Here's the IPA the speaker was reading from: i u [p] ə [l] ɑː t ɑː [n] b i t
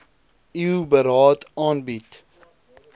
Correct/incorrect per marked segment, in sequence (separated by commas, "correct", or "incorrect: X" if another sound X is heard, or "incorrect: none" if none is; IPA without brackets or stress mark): incorrect: b, incorrect: ɾ, correct